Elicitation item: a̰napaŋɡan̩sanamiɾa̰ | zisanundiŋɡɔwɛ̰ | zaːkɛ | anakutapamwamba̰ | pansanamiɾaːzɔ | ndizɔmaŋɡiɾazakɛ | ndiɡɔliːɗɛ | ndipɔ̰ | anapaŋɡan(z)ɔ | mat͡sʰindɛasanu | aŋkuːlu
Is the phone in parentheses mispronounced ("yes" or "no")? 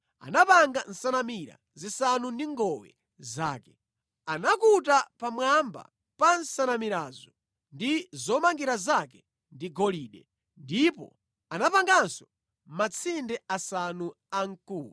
yes